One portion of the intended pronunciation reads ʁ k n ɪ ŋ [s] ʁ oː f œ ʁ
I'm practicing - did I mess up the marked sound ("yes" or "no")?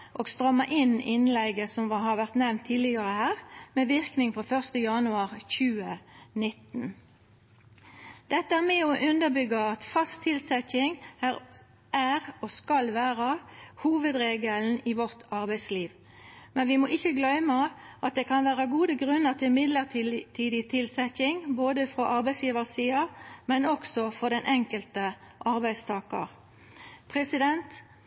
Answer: yes